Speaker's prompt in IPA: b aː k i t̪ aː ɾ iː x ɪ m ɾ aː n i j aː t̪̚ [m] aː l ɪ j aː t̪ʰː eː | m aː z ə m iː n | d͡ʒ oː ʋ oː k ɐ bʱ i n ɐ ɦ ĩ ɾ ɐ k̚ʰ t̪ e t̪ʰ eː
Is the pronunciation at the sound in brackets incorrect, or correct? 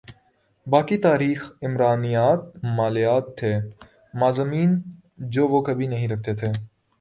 correct